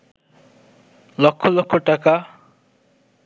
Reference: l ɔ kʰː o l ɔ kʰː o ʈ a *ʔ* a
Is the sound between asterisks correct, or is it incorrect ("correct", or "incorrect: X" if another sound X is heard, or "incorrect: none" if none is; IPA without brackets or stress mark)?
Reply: incorrect: k